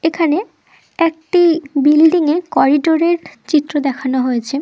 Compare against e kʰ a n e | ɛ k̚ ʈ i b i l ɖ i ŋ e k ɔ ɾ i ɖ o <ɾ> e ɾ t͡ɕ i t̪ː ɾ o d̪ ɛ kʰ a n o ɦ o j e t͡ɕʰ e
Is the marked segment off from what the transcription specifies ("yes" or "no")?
no